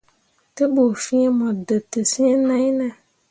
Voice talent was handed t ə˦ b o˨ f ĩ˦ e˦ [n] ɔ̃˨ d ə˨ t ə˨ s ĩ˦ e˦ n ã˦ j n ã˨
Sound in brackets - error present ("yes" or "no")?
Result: yes